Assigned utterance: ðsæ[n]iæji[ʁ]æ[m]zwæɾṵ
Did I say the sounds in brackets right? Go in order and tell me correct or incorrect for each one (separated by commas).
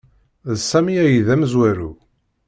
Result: incorrect, incorrect, correct